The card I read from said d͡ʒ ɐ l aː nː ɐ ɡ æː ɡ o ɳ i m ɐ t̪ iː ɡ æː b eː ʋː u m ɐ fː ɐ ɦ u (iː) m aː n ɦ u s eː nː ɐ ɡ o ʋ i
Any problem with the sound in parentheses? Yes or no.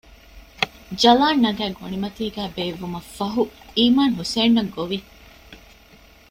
no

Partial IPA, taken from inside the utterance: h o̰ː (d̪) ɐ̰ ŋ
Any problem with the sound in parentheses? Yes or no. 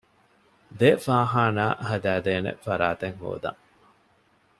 no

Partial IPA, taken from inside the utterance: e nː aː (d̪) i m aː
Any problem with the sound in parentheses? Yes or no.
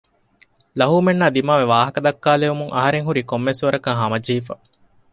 no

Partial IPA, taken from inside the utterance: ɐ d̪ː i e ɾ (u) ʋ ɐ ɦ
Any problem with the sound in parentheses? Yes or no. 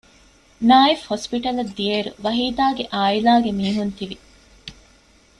no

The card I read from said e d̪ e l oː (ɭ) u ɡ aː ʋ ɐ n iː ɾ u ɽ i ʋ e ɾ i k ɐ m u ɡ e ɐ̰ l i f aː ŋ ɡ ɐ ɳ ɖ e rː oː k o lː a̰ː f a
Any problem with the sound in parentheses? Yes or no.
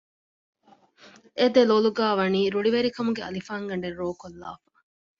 yes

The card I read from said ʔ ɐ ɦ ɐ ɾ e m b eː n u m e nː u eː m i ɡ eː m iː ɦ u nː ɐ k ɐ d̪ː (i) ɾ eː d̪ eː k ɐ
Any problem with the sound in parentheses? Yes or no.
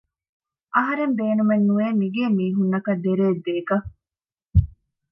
yes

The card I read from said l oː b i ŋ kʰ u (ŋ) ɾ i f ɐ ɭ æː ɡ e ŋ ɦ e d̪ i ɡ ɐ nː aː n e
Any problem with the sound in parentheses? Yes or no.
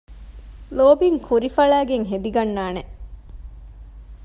yes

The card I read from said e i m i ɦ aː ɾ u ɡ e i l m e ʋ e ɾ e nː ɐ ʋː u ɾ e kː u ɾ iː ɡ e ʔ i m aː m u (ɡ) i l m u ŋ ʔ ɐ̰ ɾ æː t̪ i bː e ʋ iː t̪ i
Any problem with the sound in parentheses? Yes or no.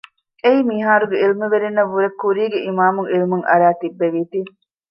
yes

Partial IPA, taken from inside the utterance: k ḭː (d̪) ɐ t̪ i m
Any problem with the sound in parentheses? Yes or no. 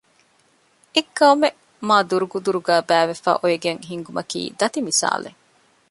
no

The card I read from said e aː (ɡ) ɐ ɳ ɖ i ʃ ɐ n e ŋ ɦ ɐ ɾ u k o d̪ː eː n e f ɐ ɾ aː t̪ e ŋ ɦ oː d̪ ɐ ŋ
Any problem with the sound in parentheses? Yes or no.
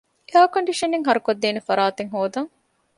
yes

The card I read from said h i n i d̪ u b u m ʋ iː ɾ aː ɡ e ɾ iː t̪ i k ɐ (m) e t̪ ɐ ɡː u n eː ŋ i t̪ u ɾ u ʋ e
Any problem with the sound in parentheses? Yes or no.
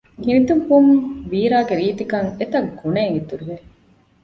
yes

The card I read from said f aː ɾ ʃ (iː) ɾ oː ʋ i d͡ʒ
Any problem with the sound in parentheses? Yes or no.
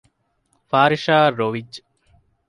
yes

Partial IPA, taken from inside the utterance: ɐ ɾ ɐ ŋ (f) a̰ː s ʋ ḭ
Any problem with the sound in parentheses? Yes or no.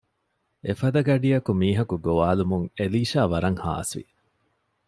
yes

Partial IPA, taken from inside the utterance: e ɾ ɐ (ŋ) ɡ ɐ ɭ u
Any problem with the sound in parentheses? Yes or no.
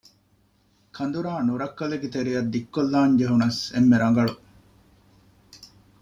no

